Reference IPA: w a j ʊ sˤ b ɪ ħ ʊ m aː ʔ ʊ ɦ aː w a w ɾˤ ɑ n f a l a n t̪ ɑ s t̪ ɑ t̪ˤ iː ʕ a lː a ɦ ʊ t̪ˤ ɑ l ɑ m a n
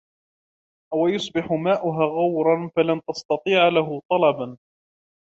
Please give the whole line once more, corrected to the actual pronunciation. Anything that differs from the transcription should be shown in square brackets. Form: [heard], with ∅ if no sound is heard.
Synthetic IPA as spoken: w a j ʊ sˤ b ɪ ħ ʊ m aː ʔ ʊ ɦ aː [ɣ] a w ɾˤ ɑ n f a l a n t̪ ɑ s t̪ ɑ t̪ˤ iː ʕ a [l] a ɦ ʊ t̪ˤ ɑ l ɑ [b] a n